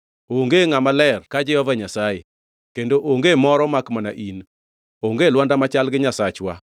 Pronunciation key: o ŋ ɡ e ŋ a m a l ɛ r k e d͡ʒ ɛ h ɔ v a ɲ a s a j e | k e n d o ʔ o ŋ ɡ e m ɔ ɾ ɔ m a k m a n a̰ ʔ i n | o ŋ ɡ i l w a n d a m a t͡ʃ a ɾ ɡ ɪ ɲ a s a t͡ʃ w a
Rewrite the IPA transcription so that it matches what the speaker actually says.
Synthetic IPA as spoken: o ŋ ɡ e ŋ a m a l ɛ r k a d͡ʒ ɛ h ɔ v a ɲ a s a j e | k e n d o ʔ o ŋ ɡ e m ɔ ɾ ɔ m a k m a n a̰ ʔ i n | o ŋ ɡ e l w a n d a m a t͡ʃ a l ɡ ɪ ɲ a s a t͡ʃ w a